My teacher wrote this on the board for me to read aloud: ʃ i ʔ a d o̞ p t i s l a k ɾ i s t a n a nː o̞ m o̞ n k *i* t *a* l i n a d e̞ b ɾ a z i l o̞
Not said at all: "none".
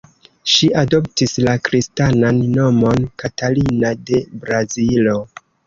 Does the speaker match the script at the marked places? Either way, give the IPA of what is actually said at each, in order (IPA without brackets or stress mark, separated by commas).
a, a